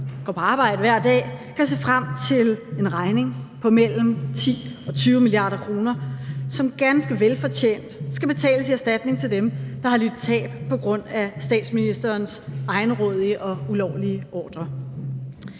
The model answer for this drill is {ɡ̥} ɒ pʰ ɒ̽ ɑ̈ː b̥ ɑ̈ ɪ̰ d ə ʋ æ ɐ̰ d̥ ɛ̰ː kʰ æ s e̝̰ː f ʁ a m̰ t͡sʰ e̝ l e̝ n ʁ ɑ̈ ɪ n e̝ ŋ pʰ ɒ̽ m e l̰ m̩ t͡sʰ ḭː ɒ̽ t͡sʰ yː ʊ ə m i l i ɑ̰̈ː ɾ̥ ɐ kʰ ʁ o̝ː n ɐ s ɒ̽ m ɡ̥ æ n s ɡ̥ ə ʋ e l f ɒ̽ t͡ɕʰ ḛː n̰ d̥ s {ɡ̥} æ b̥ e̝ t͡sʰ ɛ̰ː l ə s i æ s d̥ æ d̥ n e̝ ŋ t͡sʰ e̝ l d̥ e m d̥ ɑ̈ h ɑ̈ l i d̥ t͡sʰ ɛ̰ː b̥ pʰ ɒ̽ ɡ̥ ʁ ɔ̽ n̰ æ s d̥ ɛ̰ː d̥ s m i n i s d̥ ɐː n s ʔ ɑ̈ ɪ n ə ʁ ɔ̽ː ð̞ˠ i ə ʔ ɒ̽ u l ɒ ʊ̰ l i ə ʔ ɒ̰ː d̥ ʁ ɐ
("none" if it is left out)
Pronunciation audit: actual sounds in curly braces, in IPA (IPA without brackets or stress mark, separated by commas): ɡ̥, ɡ̥